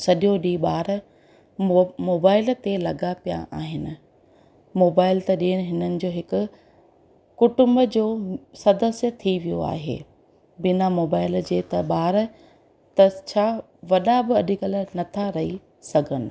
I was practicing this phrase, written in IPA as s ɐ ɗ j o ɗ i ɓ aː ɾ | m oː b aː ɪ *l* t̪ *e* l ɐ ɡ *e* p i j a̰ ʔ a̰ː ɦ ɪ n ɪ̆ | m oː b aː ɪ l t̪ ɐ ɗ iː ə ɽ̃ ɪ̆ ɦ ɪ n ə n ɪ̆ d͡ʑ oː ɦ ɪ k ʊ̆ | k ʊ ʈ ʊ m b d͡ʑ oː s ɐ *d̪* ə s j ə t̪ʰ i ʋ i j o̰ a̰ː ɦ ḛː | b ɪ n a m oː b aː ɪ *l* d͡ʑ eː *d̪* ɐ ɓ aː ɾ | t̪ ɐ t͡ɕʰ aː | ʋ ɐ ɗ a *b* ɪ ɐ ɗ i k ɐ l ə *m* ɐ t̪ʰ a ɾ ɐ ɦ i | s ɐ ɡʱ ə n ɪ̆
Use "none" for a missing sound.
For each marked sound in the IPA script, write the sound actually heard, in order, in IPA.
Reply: l, e, a, d̪, l, t̪, b, n

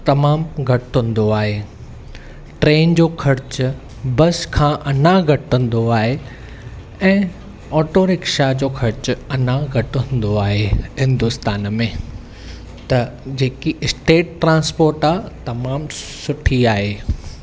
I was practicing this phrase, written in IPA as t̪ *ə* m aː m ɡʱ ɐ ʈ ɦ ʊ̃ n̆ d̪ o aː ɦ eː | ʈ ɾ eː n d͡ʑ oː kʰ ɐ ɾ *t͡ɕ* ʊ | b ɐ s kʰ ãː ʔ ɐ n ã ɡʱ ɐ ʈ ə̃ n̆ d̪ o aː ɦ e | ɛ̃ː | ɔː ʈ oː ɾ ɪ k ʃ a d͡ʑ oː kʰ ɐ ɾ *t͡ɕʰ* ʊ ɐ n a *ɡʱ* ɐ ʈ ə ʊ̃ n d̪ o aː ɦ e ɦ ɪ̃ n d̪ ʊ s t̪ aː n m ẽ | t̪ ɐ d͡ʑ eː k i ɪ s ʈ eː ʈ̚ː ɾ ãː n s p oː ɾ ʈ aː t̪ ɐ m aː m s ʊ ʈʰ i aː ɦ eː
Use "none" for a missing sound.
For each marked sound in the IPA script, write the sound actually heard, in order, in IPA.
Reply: ɐ, t͡ɕ, t͡ɕ, ɡʱ

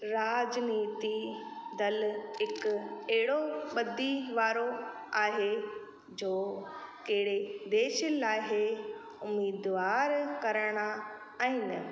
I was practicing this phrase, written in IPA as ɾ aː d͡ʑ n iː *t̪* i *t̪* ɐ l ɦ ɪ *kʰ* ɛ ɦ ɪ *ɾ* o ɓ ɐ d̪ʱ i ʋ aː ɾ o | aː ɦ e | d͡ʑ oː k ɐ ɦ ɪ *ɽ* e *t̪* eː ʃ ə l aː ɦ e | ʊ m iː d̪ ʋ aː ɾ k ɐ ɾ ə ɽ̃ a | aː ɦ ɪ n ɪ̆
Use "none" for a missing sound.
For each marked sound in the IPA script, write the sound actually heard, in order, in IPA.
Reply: t̪, d̪, k, ɽ, ɽ, d̪

